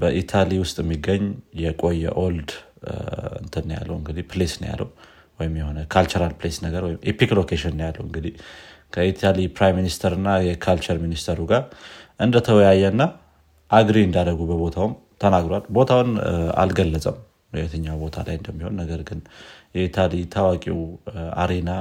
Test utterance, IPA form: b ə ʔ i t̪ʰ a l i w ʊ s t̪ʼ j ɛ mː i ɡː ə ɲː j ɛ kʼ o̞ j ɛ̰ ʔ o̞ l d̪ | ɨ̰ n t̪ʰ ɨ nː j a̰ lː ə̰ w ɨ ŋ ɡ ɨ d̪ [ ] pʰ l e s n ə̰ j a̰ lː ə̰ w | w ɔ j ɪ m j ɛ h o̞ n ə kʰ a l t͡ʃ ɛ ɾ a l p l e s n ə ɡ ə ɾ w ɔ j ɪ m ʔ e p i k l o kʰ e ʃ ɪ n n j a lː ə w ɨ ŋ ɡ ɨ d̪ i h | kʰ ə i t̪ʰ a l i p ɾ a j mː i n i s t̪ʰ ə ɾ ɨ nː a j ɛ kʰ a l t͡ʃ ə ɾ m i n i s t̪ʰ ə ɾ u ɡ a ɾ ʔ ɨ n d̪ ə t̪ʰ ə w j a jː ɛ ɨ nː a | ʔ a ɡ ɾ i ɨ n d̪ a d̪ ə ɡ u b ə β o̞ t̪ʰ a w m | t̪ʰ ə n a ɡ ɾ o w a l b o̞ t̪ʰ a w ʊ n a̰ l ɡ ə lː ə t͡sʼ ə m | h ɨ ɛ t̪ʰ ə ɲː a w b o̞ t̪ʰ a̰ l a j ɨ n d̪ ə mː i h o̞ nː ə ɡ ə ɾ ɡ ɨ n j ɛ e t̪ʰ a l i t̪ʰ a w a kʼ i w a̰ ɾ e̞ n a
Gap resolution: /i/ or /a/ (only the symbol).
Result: i